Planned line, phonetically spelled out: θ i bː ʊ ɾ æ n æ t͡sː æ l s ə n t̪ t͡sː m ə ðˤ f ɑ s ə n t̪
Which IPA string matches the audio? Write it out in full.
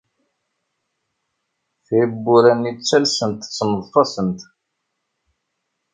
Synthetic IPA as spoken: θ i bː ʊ ɾ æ n i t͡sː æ l s ə n t̪ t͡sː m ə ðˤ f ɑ s ə n t̪